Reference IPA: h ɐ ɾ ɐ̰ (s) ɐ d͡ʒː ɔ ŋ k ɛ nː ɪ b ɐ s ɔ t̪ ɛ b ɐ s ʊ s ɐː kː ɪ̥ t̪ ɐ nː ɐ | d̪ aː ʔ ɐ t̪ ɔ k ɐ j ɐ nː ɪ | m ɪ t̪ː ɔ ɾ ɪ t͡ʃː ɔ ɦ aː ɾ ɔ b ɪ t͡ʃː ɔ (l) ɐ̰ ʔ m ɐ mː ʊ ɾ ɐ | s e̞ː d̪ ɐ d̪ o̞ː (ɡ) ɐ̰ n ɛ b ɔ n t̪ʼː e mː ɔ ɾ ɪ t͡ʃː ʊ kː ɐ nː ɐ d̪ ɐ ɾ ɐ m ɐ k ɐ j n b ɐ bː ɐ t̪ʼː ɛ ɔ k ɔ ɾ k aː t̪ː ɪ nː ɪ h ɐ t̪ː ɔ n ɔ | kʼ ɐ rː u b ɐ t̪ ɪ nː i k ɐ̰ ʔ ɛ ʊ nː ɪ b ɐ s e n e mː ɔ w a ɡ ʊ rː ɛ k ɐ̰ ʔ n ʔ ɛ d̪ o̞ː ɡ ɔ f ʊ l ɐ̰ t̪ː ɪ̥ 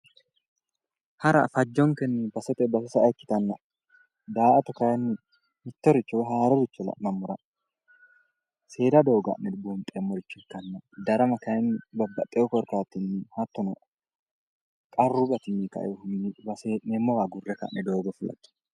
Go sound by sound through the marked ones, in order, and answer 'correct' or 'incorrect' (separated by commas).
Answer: incorrect, correct, correct